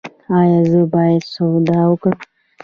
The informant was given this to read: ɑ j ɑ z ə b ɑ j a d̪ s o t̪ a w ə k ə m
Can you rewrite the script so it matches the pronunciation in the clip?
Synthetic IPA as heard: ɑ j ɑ z ə b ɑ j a d̪ s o d̪ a w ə k ə m